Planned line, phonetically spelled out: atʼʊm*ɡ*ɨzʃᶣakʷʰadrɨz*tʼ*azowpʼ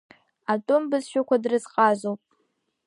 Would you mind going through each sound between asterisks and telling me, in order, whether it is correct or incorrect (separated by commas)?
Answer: incorrect, incorrect